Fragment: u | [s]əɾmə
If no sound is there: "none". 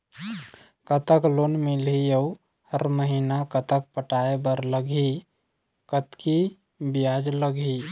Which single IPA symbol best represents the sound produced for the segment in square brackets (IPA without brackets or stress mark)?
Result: h